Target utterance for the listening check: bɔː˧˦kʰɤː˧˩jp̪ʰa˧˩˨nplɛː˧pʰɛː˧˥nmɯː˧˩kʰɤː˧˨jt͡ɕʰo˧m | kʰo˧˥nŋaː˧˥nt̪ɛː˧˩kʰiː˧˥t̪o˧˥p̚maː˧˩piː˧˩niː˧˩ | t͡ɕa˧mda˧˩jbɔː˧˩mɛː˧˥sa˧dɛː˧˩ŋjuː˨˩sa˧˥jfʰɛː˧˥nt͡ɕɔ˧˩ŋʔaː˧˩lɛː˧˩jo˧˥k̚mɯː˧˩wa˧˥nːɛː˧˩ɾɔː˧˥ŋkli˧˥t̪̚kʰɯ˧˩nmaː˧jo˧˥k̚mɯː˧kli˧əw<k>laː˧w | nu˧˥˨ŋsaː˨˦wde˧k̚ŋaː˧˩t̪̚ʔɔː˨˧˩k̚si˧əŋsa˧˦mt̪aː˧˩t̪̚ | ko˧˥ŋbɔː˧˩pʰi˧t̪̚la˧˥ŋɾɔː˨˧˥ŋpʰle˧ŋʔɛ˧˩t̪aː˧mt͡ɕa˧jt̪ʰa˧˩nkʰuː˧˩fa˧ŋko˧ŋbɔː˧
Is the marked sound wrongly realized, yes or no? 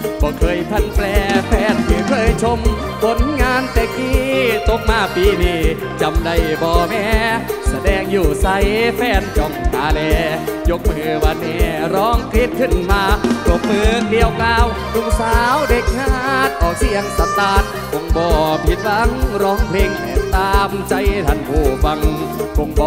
no